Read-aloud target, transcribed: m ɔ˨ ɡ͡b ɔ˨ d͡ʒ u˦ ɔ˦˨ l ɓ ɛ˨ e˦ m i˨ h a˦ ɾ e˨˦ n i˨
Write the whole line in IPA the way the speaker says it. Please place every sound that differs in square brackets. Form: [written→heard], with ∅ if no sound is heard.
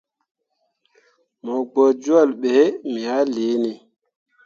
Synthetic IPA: m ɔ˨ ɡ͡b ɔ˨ d͡ʒ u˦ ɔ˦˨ l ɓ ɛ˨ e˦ m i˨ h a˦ [ɾ→l] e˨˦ n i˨

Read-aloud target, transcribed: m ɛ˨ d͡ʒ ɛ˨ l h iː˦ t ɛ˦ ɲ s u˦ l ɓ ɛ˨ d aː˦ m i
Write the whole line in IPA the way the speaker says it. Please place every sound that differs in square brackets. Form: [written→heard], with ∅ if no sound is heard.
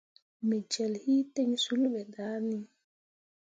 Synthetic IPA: m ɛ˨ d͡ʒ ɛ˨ l h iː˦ t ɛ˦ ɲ s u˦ l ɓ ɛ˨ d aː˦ [m→n] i

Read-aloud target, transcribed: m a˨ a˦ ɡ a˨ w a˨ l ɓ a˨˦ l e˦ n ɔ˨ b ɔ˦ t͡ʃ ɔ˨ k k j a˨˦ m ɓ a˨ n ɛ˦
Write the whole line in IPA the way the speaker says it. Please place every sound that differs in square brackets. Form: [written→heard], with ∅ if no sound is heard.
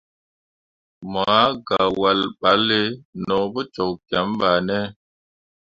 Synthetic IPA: m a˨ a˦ ɡ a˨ w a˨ l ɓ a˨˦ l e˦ n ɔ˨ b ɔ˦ t͡ʃ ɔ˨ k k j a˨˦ m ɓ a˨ n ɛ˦

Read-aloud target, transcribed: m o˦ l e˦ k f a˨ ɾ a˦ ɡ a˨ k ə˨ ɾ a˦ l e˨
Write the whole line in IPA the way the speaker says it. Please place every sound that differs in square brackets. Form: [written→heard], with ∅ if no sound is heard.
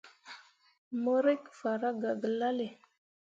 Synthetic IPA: m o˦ [l→ɾ] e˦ k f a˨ ɾ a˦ ɡ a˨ [k→ɡ] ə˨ [ɾ→l] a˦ l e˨

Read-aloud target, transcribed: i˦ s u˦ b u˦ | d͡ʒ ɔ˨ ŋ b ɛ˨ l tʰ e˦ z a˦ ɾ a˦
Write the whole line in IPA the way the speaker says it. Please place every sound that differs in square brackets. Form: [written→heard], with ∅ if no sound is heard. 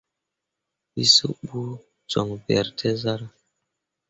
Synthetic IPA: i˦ s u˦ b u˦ | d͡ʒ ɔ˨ ŋ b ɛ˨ [l→ɾ] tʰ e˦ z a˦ ɾ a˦

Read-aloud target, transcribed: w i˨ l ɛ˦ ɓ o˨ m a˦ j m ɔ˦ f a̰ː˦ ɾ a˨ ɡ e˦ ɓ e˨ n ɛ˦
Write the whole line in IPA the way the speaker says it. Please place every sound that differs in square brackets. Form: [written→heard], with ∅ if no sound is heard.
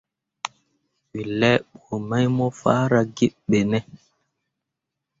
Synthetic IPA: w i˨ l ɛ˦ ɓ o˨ m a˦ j m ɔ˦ f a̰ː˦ ɾ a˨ ɡ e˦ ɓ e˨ n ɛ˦

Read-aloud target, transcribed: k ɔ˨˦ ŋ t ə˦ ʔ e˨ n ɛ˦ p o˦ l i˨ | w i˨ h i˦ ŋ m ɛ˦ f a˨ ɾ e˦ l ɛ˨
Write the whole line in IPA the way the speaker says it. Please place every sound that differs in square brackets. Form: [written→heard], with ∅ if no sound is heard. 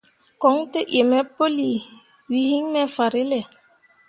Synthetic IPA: k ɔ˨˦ ŋ t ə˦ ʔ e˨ [n→m] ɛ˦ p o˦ l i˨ | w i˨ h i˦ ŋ m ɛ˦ f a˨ ɾ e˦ l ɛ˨

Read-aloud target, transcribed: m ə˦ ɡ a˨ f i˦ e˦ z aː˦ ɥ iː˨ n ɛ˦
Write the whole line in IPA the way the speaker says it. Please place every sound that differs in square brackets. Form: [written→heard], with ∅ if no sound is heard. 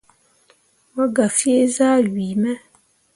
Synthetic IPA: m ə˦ ɡ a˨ f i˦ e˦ z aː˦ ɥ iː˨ [n→m] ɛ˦

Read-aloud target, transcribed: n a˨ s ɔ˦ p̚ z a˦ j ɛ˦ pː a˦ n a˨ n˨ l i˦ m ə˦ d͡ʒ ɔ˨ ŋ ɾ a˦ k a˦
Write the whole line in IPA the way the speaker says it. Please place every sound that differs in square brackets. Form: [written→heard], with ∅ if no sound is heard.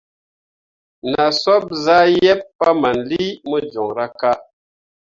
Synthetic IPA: n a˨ s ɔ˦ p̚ z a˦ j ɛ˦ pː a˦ [n→m] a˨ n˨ l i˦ m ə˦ d͡ʒ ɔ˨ ŋ ɾ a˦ k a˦

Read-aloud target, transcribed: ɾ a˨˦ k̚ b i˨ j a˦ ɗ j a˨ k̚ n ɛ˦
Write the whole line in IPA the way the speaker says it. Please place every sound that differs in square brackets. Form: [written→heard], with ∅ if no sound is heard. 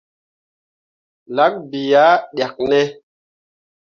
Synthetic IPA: [ɾ→l] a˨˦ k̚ b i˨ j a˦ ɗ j a˨ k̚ n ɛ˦

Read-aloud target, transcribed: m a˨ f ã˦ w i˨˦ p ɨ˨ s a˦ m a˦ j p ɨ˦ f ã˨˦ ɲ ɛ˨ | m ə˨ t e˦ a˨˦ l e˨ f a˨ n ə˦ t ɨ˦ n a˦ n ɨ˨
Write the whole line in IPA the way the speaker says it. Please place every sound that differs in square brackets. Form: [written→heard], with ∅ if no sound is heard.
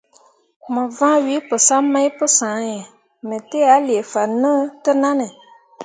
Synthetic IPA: m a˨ [f→v] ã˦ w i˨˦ p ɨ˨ s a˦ m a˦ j p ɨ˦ [f→s] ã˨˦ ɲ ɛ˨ | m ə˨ t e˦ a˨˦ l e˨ f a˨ n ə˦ t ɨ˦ n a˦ n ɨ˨

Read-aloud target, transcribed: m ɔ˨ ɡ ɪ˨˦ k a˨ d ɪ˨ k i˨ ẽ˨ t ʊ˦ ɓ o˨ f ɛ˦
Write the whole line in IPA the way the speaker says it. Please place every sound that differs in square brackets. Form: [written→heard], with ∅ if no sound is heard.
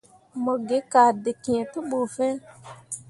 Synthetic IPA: m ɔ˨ ɡ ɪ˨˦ k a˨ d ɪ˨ k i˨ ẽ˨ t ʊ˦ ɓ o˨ f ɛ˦

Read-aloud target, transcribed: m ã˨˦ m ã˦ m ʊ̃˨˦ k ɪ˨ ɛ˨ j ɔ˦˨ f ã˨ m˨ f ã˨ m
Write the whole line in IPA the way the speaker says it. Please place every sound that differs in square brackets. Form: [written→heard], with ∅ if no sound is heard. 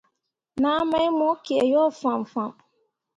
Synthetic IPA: [m→n] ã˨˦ m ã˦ m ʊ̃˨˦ k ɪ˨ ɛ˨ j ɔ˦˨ f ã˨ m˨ f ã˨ m

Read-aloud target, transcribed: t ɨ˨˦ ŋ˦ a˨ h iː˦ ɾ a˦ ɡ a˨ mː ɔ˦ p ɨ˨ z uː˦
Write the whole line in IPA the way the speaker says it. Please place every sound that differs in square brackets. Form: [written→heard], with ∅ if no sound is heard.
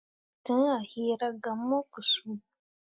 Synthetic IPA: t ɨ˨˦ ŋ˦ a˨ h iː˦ ɾ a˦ ɡ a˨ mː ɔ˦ [p→k] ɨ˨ [z→s] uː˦

